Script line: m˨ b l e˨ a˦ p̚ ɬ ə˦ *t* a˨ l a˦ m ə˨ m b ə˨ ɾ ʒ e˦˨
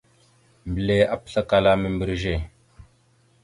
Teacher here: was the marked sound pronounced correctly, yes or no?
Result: no